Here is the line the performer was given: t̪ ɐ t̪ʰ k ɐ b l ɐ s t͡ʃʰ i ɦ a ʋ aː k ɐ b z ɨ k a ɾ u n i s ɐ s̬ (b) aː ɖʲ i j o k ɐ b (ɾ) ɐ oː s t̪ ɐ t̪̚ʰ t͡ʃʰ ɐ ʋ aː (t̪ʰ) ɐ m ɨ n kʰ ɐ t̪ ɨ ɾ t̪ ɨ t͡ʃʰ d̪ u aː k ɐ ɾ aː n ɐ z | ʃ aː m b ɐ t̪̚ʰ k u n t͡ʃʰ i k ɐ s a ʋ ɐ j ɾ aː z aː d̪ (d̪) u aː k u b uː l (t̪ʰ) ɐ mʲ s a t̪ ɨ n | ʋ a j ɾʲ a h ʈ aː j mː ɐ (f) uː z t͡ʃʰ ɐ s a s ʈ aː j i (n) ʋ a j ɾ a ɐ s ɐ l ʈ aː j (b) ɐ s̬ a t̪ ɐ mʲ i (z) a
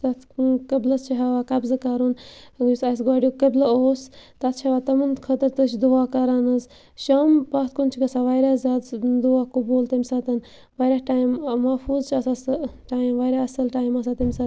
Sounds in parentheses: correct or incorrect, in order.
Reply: incorrect, incorrect, incorrect, correct, incorrect, correct, incorrect, incorrect, incorrect

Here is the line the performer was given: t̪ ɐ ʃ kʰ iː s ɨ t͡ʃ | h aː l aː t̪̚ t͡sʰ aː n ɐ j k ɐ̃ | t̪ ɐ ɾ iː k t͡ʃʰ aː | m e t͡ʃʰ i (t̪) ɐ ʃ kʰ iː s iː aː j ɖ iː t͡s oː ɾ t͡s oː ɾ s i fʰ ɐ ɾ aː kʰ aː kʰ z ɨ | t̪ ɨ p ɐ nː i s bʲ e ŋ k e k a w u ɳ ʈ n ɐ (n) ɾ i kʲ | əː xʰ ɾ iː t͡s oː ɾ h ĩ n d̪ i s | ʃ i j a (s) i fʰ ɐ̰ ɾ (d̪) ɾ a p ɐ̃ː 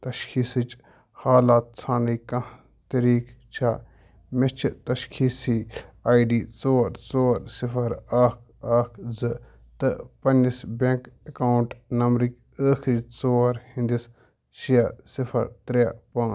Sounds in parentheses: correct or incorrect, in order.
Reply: correct, incorrect, correct, incorrect

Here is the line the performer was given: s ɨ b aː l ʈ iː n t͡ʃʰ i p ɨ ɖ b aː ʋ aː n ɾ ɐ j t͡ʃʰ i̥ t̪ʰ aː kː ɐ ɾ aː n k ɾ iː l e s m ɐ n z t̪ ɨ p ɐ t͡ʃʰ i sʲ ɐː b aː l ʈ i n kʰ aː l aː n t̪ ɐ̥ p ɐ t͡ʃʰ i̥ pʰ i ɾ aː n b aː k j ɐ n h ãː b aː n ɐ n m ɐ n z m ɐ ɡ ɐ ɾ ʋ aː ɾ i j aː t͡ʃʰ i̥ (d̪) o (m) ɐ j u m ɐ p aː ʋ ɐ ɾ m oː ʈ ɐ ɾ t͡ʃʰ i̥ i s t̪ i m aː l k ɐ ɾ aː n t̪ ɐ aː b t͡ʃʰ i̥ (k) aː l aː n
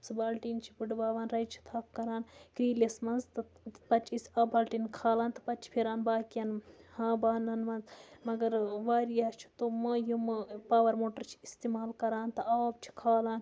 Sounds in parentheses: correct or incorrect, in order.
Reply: incorrect, correct, incorrect

